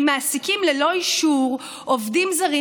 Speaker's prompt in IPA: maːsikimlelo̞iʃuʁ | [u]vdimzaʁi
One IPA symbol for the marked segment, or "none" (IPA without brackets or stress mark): o